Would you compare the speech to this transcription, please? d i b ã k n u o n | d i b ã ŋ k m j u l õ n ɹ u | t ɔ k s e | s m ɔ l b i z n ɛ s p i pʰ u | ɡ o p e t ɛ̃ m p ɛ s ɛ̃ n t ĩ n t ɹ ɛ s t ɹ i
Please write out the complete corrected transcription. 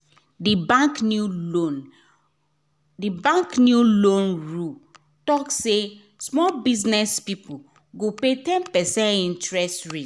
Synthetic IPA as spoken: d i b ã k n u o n | d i b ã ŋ k n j u l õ n ɹ u | t ɔ k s e | s m ɔ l b i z n ɛ s p i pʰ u | ɡ o p e t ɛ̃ n p ɛ s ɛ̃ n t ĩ n t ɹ ɛ s t ɹ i